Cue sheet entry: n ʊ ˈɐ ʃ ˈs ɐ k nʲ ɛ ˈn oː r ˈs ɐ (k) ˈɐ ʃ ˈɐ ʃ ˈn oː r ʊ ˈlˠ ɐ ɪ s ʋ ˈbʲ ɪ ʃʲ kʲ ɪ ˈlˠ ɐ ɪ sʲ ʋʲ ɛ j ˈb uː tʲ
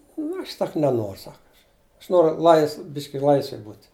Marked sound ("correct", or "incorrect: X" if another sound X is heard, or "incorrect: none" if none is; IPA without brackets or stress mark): correct